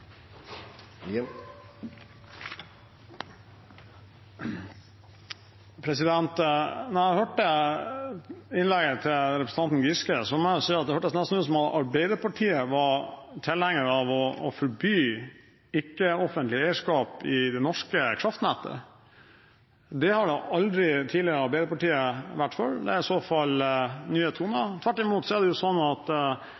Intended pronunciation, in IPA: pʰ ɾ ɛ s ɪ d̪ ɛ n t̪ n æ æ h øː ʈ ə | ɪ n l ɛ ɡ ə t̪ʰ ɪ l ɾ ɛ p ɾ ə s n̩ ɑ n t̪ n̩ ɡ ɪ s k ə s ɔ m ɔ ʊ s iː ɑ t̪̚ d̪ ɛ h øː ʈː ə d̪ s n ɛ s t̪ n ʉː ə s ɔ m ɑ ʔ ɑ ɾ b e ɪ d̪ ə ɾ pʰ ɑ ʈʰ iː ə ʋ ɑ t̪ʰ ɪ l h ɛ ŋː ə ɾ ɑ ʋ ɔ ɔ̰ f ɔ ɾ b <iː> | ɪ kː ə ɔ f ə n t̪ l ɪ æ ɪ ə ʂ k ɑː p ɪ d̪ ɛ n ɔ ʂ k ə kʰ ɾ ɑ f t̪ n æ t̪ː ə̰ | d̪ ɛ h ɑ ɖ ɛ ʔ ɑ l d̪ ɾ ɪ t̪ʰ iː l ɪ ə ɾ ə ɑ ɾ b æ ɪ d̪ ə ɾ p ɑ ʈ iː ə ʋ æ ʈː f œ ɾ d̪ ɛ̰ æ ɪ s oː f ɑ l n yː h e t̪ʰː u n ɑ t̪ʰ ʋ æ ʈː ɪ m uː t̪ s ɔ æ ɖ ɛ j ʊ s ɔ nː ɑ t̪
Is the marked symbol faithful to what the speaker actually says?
no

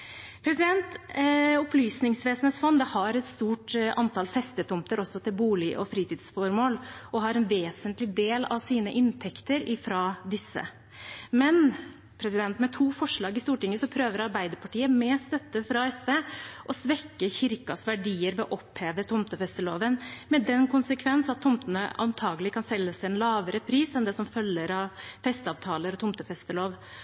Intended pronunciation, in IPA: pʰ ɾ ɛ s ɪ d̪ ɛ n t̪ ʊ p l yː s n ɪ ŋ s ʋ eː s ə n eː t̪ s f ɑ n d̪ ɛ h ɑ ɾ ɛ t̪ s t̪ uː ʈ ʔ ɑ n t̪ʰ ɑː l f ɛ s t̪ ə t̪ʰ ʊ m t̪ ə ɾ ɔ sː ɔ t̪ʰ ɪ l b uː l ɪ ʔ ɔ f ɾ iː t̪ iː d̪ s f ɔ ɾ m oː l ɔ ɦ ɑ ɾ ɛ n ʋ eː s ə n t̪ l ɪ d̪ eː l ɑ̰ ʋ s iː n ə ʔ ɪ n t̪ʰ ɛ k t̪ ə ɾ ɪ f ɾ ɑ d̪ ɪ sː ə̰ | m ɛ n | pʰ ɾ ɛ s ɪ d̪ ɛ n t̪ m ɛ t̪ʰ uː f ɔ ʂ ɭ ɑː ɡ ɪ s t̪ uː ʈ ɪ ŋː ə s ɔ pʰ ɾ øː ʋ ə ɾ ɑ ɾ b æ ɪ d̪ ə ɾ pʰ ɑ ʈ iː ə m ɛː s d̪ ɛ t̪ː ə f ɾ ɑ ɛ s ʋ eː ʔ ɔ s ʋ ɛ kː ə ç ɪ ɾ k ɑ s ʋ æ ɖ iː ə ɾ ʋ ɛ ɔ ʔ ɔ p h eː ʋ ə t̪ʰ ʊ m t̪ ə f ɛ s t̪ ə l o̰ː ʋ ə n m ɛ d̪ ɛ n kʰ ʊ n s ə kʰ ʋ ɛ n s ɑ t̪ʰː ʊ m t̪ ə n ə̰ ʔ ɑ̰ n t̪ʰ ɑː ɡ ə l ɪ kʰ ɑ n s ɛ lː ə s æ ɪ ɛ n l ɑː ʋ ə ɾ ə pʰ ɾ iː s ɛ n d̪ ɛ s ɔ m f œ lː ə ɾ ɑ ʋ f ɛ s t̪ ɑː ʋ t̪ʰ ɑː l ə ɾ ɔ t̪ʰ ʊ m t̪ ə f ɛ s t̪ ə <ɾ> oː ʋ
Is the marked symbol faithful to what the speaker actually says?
no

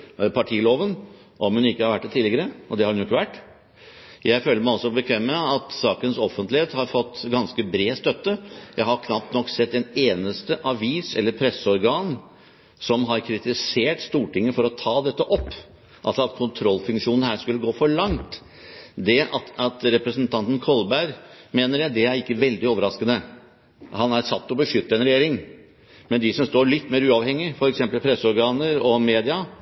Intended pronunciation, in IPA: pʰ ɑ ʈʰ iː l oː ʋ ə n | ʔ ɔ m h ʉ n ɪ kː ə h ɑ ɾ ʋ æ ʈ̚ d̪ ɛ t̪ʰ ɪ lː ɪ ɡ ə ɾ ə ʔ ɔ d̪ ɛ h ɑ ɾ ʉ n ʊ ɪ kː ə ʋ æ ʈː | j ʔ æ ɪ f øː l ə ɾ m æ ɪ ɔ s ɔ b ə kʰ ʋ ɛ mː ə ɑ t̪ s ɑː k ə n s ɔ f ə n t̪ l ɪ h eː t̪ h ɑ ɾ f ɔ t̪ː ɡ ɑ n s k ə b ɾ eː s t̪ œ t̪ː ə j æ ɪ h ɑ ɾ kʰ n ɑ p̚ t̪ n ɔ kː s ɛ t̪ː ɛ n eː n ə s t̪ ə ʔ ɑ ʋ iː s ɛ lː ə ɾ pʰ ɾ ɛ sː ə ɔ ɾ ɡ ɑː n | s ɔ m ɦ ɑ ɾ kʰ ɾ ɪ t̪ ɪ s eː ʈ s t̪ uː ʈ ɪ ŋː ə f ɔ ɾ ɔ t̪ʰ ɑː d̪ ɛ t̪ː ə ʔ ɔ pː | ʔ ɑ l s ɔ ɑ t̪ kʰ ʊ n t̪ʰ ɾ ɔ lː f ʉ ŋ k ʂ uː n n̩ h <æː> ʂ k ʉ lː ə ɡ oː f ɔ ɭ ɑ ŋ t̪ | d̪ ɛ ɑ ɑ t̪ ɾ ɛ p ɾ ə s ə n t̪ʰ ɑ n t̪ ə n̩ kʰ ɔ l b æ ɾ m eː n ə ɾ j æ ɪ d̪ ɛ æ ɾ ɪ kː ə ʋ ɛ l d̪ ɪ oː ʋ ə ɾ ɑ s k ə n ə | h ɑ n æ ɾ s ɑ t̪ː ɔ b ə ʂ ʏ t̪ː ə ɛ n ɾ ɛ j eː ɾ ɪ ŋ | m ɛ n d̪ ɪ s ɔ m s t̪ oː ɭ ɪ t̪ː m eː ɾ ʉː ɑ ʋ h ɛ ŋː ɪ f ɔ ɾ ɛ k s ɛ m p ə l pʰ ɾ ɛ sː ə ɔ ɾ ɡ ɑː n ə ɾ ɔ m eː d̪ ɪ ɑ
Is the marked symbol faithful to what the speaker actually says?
yes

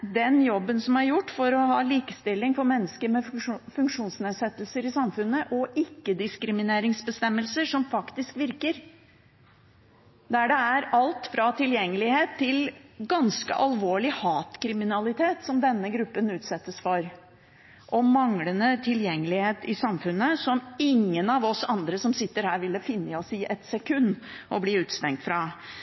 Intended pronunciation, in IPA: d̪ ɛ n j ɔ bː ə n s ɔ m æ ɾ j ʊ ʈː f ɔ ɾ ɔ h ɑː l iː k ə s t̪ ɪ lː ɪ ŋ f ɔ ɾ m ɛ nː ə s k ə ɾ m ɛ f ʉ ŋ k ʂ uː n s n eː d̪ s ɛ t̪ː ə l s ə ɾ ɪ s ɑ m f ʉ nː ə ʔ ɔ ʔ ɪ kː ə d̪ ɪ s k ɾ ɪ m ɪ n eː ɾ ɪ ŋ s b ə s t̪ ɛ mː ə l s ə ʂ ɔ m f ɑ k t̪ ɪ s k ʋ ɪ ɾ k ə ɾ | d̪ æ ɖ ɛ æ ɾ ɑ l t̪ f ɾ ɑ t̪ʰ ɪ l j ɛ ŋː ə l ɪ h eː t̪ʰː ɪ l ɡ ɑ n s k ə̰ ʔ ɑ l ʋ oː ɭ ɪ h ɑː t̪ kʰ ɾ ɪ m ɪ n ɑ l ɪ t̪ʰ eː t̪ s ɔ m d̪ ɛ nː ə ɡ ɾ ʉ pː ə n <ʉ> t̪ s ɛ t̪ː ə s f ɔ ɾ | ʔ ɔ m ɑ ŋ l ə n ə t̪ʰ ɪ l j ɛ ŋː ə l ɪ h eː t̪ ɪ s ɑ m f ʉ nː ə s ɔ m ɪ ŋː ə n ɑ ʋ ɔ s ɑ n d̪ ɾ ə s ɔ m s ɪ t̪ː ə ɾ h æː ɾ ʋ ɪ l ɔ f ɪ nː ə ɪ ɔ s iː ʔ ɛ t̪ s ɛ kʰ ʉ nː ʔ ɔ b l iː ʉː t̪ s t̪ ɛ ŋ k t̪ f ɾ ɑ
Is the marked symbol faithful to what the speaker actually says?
no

